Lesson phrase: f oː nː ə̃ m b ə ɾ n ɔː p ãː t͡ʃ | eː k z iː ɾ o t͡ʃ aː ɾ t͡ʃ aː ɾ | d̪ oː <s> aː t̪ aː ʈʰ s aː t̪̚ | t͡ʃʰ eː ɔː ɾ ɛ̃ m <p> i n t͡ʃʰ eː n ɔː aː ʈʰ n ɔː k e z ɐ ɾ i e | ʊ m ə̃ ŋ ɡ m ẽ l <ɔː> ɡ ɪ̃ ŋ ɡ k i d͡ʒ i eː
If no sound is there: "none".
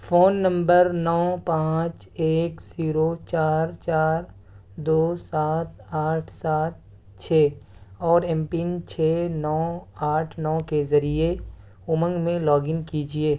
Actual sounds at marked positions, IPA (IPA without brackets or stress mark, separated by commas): s, p, ɔː